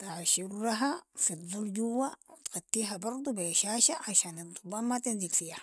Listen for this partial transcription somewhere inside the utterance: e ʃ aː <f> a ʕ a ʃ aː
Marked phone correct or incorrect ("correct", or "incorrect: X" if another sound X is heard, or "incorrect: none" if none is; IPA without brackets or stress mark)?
incorrect: ʃ